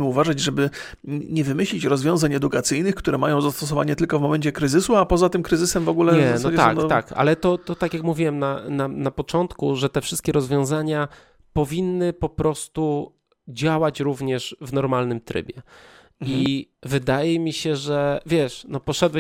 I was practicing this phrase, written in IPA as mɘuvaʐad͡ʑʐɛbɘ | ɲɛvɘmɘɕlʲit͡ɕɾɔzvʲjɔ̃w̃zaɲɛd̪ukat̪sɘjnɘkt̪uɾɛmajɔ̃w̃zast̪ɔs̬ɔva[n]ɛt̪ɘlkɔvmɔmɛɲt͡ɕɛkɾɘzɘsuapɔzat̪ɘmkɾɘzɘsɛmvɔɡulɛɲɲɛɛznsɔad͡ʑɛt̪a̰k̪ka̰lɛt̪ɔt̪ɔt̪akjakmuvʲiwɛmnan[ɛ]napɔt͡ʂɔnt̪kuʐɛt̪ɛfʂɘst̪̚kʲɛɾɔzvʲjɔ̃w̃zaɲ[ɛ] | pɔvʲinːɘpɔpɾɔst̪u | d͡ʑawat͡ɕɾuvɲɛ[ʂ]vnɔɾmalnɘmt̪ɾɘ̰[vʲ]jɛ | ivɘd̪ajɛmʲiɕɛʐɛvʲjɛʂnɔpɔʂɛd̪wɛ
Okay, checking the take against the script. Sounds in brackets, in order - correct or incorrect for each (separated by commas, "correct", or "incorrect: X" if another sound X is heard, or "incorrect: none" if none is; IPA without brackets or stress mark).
incorrect: ɲ, incorrect: a, incorrect: a, correct, incorrect: bʲ